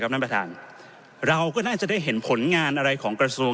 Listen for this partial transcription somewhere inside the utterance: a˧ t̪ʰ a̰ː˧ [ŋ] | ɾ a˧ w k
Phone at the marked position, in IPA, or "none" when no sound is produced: n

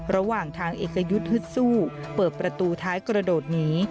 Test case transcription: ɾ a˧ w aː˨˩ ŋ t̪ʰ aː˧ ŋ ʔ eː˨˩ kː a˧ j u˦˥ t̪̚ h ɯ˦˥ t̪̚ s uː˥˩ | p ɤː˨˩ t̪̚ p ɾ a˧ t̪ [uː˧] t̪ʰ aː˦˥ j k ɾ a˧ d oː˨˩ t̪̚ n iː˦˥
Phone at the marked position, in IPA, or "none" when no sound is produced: uː˧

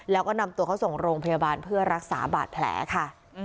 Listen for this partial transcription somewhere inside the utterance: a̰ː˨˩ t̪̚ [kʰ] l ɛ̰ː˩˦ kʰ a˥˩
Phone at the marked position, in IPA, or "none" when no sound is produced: pʰ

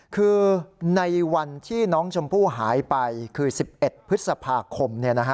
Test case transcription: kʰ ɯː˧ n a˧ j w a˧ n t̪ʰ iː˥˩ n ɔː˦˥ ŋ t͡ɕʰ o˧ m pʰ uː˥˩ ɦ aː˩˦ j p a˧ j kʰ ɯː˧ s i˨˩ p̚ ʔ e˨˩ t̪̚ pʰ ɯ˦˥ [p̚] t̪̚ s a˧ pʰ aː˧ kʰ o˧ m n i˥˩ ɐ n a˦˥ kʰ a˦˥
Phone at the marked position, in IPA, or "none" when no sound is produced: none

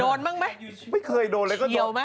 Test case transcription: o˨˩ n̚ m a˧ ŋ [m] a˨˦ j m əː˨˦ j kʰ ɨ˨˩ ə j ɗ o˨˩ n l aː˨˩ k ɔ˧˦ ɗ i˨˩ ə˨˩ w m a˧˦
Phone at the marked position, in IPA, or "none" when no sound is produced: m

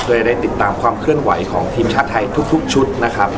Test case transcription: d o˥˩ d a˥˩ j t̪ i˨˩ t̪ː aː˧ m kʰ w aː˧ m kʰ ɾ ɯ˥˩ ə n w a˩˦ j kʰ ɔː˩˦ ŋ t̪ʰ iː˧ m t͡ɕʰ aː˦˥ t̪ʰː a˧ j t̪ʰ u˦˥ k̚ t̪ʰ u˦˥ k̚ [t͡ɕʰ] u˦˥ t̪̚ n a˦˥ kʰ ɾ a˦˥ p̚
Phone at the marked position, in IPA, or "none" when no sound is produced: t͡ɕʰ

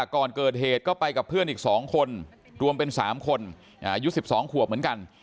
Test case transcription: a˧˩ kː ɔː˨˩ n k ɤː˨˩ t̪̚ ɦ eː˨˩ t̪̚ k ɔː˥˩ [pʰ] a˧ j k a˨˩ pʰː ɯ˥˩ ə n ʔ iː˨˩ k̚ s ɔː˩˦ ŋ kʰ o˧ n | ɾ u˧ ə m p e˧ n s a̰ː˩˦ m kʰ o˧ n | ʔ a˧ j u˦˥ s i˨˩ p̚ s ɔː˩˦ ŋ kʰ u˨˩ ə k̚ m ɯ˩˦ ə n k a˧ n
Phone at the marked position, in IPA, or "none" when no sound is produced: p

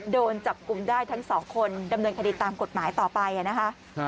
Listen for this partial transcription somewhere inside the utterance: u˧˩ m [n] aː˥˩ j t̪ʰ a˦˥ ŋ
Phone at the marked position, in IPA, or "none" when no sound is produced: d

